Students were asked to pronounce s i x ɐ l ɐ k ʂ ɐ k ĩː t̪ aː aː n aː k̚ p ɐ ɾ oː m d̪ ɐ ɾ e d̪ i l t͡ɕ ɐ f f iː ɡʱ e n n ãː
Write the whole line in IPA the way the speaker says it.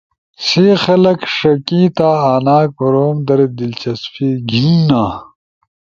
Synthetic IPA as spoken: s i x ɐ l ɐ k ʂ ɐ k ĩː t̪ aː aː n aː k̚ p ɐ ɾ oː m d̪ ɐ ɾ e d̪ i l t͡ɕ ɐ s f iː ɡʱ i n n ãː